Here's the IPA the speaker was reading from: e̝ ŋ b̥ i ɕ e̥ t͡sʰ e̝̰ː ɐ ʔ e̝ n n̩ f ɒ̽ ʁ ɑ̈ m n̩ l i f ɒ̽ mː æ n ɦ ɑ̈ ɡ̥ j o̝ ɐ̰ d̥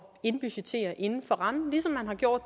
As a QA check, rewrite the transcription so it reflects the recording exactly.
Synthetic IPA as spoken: e̝ n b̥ y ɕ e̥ t͡sʰ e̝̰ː ɐ ʔ e̝ n n̩ f ɒ̽ ʁ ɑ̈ m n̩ l i s ɒ̽ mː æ n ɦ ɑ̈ ɡ̥ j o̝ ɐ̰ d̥